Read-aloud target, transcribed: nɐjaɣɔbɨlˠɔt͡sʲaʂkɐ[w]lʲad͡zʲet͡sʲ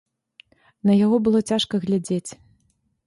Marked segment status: incorrect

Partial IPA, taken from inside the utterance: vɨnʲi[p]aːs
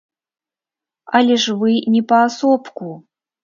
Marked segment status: correct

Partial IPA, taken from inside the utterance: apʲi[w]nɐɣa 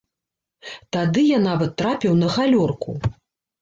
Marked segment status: correct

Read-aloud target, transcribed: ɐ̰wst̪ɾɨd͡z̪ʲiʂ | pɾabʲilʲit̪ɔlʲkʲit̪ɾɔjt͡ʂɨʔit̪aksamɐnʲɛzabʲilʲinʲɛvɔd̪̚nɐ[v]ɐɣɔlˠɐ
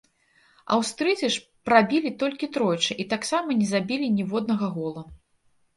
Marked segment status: incorrect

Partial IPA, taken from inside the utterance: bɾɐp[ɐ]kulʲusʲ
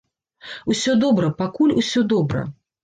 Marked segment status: incorrect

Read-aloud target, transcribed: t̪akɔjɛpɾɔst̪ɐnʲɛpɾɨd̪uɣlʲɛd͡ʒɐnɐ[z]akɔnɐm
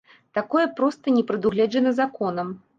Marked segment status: correct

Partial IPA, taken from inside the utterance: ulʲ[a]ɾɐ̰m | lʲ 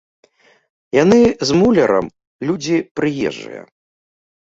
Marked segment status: incorrect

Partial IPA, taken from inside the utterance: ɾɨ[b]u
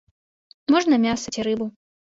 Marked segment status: correct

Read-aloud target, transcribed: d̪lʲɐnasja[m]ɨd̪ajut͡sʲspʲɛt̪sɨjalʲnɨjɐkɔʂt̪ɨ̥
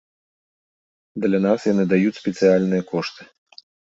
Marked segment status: incorrect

